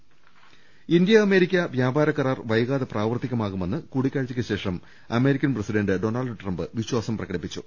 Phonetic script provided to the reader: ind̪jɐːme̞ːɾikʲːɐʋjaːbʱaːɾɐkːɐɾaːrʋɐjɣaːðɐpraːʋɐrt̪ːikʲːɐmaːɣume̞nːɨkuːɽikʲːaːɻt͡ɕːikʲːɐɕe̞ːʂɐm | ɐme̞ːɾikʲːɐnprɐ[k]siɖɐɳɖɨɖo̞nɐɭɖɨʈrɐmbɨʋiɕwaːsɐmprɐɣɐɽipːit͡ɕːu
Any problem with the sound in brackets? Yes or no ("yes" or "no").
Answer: yes